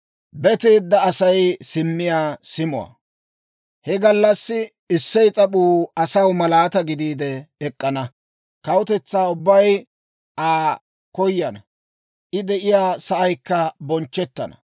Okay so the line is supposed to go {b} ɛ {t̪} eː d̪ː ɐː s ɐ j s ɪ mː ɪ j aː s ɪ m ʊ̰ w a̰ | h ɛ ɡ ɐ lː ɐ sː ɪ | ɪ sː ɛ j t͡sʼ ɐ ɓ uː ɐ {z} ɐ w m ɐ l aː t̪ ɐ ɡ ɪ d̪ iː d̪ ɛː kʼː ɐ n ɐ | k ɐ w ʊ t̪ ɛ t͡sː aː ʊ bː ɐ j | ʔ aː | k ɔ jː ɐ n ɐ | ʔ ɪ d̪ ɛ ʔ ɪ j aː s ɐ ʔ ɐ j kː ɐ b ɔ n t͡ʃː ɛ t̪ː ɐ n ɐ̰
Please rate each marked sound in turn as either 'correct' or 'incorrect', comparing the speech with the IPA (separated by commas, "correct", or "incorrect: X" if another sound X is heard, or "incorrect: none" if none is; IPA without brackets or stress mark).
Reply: correct, correct, incorrect: s